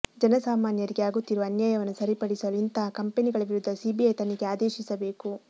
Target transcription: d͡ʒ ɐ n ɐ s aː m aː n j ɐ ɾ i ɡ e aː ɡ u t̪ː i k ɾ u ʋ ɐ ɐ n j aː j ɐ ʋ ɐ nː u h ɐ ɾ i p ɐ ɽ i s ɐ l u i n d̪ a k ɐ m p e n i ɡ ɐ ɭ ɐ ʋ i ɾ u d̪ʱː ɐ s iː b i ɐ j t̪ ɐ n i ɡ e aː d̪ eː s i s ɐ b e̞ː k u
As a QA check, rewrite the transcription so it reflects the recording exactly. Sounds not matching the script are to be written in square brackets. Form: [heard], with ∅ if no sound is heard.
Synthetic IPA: d͡ʒ ɐ n ɐ s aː m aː n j ɐ ɾ i ɡ e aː ɡ u t̪ː i [∅] ɾ u ʋ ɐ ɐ n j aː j ɐ ʋ ɐ nː u [s] ɐ ɾ i p ɐ ɽ i s ɐ l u i n [t̪] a k ɐ m p e n i ɡ ɐ ɭ ɐ ʋ i ɾ u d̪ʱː ɐ s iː b i ɐ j t̪ ɐ n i ɡ e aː d̪ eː [ʃ] i s ɐ b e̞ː k u